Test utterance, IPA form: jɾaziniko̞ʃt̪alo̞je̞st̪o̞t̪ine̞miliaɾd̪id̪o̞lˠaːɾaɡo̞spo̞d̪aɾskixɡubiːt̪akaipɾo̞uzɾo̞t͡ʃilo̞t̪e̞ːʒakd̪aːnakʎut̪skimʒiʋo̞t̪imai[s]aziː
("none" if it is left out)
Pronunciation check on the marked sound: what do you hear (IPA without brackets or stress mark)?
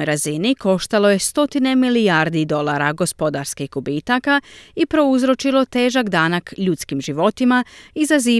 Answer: z